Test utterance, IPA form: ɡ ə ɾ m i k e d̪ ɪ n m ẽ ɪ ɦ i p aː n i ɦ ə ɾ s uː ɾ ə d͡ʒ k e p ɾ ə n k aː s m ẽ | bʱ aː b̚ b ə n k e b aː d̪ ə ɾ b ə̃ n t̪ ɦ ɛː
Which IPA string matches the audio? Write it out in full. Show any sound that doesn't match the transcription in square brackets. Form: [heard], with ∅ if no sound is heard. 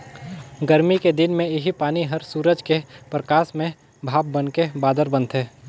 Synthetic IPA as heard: ɡ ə ɾ m i k e d̪ ɪ n m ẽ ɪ ɦ i p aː n i ɦ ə ɾ s uː ɾ ə d͡ʒ k e p ɾ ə [∅] k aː s m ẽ | bʱ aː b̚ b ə n k e b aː d̪ ə ɾ b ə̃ n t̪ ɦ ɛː